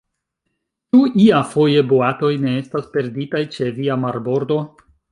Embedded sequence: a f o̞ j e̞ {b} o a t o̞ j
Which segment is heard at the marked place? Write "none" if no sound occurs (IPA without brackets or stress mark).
b